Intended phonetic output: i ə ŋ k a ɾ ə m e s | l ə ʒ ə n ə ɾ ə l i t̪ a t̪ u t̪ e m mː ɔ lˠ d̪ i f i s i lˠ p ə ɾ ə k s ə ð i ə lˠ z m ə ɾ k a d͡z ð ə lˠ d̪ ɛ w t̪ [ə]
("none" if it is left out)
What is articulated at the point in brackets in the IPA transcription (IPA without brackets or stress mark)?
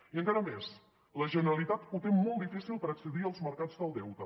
ə